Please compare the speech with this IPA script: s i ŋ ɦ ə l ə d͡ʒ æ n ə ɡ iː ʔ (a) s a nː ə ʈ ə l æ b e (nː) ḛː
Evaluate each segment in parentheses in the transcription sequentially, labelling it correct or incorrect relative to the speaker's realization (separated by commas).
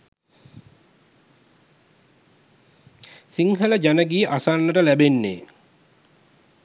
correct, correct